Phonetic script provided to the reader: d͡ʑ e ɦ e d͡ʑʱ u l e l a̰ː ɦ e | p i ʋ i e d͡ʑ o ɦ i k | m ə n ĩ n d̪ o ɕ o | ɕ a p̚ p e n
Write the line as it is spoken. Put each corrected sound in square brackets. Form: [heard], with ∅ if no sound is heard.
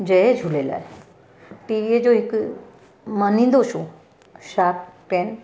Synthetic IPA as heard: d͡ʑ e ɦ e d͡ʑʱ u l e l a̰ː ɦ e | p i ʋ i e d͡ʑ o ɦ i k | m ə n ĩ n d̪ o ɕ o | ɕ a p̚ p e n